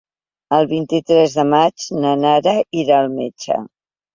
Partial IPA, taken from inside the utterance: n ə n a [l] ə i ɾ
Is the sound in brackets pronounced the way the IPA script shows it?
no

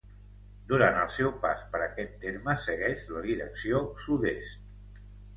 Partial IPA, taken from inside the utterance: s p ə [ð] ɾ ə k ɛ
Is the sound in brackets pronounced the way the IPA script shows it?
no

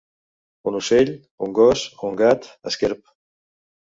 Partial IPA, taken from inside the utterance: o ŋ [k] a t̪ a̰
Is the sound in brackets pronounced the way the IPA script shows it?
no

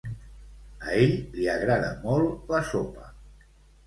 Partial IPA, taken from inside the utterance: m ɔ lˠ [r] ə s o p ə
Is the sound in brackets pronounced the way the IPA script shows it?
no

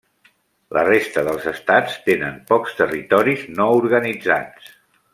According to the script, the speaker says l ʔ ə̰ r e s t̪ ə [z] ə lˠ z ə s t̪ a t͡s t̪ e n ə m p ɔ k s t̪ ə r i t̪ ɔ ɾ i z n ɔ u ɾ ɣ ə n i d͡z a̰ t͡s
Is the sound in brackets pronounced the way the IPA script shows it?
no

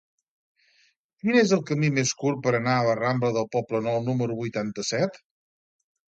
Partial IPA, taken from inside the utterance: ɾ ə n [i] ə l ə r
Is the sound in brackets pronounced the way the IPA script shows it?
no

